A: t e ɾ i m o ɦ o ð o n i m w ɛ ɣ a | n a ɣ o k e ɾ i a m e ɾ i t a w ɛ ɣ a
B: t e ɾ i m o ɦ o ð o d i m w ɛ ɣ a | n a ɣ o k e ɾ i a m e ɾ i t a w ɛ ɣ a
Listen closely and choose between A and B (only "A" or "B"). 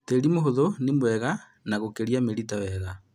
A